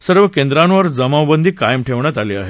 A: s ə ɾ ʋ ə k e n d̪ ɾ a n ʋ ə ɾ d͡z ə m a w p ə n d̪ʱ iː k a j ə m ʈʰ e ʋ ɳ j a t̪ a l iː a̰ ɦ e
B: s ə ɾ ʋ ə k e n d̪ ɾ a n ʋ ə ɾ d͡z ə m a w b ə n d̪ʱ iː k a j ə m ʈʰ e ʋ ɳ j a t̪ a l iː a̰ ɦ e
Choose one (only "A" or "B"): B